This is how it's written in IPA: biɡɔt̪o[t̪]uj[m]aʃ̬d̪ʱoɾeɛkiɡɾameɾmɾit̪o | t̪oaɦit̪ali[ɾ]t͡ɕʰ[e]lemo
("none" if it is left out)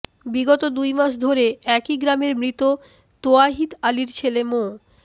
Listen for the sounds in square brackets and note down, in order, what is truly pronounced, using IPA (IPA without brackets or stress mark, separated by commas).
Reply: d̪, m, ɾ, e